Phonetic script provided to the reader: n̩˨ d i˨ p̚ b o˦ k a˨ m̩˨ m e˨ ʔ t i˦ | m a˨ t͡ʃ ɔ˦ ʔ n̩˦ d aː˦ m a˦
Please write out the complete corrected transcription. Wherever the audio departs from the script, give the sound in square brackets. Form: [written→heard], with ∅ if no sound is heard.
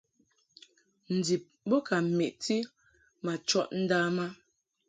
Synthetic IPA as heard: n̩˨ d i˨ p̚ b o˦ k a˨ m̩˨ m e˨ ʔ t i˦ | m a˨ t͡ʃ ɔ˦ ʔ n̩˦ d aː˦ m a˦